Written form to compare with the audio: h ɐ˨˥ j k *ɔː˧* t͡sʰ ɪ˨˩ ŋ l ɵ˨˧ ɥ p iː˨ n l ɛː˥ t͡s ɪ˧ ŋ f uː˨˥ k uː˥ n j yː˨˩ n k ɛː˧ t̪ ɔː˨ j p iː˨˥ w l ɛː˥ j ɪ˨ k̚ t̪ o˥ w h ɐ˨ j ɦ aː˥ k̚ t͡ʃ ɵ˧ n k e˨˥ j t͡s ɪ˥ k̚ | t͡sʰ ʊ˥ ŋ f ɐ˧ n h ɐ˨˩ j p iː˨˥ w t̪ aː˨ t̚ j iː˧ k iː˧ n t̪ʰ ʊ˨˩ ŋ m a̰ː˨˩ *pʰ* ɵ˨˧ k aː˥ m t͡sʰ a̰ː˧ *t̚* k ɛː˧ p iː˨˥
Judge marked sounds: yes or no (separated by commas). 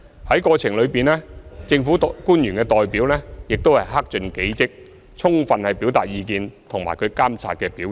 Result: yes, no, yes